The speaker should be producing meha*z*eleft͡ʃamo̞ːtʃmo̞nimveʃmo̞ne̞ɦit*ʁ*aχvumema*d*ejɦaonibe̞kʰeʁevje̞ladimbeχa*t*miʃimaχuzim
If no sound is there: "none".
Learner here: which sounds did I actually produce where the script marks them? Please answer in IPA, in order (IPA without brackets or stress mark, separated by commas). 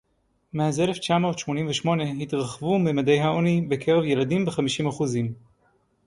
z, ʁ, d, none